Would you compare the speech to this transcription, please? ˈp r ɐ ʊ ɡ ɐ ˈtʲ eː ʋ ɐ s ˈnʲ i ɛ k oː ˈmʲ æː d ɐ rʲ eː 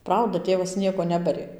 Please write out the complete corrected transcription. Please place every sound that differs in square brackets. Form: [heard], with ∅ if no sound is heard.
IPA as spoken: ˈp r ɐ ʊ [d] ɐ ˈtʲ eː ʋ ɐ s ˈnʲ i ɛ k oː [ˈnʲ] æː [b] ɐ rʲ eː